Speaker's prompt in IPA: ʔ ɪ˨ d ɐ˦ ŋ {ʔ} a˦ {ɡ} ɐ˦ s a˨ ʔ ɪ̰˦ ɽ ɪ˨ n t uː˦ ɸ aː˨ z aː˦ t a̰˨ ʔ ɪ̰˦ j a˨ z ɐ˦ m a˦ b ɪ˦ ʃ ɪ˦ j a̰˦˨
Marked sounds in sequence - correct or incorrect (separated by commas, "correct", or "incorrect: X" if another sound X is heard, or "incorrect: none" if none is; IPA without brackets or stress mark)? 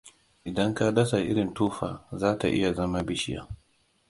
incorrect: k, incorrect: d